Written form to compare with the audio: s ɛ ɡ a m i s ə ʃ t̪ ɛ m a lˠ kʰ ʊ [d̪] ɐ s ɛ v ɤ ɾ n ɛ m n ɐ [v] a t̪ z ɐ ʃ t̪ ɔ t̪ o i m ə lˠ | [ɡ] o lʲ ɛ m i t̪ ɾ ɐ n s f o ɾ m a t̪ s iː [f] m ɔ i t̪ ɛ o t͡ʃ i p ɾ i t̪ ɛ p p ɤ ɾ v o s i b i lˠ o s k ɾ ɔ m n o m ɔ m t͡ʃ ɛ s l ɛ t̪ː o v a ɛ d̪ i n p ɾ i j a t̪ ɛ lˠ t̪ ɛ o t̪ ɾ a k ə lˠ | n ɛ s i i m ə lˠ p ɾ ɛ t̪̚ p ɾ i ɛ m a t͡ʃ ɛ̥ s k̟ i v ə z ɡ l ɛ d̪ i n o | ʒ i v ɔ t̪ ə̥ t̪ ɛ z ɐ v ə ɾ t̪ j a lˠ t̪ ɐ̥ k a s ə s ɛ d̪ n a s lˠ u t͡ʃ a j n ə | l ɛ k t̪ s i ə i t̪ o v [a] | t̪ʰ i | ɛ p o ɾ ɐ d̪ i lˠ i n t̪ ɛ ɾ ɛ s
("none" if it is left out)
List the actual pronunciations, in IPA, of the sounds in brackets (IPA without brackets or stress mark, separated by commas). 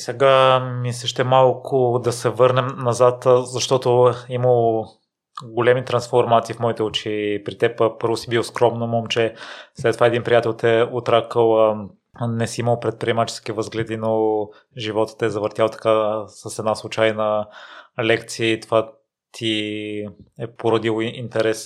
d̪, z, ɡ, f, a